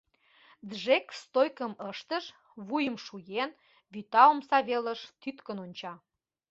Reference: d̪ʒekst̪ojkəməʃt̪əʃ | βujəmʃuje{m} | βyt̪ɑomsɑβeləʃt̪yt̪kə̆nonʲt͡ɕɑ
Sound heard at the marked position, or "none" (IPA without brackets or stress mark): n